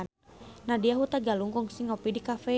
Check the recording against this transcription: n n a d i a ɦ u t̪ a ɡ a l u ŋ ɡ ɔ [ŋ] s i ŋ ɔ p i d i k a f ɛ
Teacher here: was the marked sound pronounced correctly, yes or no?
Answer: yes